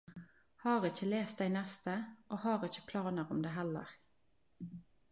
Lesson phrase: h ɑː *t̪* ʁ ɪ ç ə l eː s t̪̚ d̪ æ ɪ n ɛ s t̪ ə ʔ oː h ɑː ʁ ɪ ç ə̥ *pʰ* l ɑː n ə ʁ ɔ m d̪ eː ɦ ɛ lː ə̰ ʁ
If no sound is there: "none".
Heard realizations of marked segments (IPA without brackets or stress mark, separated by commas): none, pʰ